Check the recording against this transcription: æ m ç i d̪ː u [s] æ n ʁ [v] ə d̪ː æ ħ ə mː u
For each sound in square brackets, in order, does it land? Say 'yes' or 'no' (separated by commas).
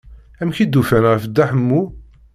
no, no